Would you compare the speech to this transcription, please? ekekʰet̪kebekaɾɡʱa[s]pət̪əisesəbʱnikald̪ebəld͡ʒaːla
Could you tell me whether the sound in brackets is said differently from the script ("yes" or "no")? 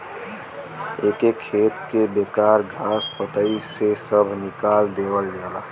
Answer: no